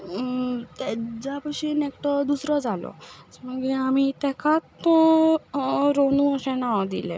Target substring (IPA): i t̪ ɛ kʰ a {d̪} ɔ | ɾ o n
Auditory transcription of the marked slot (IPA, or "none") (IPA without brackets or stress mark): t̪